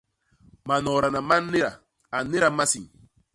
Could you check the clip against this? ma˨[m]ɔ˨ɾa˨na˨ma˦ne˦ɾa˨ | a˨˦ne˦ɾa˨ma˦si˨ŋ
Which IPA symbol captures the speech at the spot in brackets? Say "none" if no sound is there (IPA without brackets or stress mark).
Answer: n